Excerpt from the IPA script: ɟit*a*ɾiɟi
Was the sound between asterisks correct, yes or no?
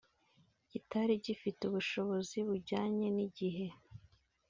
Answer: yes